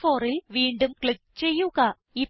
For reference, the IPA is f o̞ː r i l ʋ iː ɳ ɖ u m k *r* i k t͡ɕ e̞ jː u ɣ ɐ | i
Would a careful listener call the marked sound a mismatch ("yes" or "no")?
yes